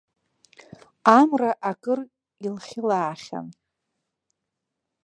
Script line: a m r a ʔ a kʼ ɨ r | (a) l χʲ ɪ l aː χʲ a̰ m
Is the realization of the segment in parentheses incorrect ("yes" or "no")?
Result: yes